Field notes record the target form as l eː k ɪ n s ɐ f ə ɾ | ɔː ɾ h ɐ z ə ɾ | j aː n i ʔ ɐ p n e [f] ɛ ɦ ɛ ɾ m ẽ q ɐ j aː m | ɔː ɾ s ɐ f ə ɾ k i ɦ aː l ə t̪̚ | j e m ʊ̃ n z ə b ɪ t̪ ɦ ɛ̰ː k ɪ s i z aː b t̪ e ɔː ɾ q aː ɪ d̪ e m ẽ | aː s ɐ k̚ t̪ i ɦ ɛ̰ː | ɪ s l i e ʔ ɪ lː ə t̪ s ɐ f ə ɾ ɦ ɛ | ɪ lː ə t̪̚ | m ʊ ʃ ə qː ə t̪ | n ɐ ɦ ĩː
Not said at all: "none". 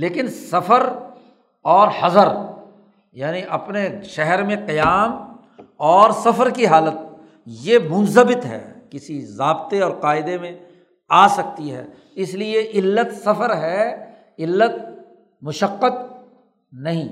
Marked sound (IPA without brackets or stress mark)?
ʃ